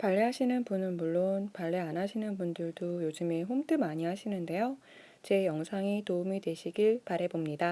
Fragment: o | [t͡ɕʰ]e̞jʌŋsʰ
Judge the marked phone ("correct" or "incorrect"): incorrect